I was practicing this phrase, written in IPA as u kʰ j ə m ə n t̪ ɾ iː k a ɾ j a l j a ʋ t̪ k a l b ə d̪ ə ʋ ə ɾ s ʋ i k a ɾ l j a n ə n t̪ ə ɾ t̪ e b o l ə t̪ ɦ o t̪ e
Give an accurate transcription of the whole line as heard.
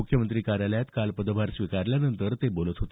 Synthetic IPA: u kʰ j ə m ə n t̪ ɾ iː k a ɾ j a l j a t̪ k a l p ə d̪ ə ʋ a ɾ s ʋ i k a ɾ l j a n ə n t̪ ə ɾ t̪ e b o l ə t̪ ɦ o t̪ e